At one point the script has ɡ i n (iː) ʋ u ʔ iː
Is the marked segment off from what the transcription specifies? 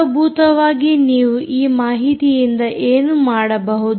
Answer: no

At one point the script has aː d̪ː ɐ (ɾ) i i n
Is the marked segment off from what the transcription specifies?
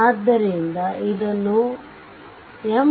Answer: no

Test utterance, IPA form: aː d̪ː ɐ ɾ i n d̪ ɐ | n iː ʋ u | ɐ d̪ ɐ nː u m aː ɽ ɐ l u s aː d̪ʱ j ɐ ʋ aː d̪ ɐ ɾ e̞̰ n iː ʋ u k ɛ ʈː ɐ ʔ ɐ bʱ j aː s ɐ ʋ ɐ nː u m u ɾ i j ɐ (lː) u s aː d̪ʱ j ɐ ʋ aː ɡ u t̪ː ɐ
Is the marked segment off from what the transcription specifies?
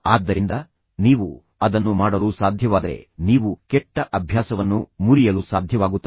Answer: yes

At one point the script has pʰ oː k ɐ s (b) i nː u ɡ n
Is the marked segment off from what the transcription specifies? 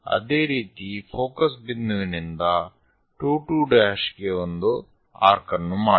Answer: no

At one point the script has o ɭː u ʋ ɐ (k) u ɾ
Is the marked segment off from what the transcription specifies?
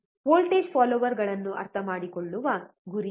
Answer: yes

